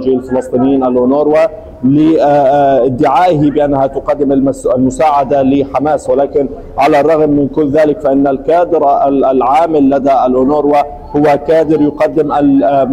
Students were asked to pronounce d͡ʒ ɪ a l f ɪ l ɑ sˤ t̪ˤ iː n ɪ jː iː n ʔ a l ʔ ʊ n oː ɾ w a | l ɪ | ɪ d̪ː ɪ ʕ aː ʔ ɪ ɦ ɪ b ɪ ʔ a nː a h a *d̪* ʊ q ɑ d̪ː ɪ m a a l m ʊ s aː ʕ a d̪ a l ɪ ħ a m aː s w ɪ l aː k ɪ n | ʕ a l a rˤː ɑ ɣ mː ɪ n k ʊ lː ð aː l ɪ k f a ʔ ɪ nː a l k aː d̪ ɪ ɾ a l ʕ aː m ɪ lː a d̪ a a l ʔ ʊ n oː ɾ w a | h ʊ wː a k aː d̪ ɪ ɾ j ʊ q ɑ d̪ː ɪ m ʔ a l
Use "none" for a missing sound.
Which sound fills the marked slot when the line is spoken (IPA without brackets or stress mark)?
t̪